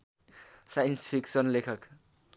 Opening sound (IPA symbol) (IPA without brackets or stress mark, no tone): s